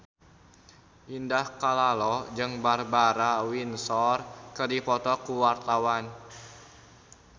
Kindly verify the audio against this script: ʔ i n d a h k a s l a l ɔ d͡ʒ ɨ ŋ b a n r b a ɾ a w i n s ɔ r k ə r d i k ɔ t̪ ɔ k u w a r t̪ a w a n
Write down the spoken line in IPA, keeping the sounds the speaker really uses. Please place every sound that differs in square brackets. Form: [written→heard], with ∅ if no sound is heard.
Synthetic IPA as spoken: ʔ i n d a h k a [s→∅] l a l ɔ d͡ʒ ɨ ŋ b a [n→∅] r b a ɾ a w i n s ɔ r k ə r d i [k→p] ɔ t̪ ɔ k u w a r t̪ a w a n